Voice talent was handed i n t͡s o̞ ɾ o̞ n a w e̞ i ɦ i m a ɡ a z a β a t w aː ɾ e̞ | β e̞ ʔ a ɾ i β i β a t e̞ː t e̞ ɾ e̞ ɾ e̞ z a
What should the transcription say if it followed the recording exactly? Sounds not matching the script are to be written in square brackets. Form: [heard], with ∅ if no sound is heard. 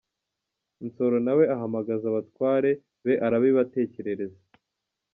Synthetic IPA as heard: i n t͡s o̞ ɾ o̞ n a w e̞ [a] ɦ [a] m a ɡ a z a β a t w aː ɾ e̞ | β e̞ ʔ a ɾ [a] β i β a t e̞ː [c] e̞ ɾ e̞ ɾ e̞ z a